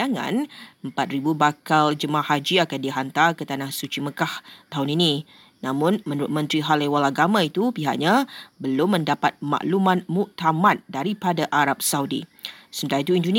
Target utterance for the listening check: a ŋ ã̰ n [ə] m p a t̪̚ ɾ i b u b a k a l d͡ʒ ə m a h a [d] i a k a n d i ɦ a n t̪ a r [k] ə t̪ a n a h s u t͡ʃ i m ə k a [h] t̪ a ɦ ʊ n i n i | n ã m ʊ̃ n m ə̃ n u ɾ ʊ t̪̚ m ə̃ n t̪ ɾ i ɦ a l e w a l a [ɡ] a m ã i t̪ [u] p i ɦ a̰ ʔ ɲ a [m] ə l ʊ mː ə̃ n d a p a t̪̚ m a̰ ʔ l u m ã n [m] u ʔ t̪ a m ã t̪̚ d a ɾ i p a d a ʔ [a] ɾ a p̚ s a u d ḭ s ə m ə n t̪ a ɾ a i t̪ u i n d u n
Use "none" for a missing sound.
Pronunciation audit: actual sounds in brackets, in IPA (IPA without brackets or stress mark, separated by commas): ə, d͡ʒ, k, h, ɡ, u, b, m, a